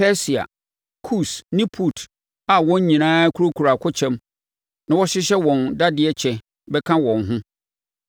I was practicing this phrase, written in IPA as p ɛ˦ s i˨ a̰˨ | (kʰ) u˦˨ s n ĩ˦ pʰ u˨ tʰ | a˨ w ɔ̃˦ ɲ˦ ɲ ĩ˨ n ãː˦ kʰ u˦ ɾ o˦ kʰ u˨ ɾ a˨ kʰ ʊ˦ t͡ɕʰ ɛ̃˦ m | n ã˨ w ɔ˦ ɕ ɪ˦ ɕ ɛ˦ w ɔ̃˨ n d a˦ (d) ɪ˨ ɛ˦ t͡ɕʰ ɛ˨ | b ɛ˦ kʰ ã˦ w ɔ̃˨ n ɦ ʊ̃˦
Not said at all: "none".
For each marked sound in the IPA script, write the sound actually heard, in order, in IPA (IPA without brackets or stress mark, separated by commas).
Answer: kʰ, d